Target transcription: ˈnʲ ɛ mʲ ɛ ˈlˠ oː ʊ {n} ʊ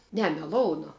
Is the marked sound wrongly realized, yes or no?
no